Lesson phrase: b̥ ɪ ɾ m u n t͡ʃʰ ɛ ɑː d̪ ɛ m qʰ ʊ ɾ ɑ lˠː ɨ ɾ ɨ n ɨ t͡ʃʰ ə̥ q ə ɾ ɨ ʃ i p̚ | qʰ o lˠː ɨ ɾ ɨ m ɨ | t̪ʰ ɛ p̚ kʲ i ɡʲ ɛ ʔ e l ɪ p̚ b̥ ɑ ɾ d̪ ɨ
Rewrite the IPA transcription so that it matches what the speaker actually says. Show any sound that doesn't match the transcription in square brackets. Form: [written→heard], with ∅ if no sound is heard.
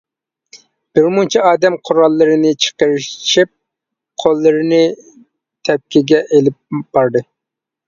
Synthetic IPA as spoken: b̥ ɪ ɾ m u n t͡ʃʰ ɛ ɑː d̪ ɛ m qʰ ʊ ɾ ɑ lˠː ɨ ɾ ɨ n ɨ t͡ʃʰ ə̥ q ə ɾ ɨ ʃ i p̚ | qʰ o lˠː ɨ ɾ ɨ [m→n] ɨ | t̪ʰ ɛ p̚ kʲ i ɡʲ ɛ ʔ e l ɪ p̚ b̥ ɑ ɾ d̪ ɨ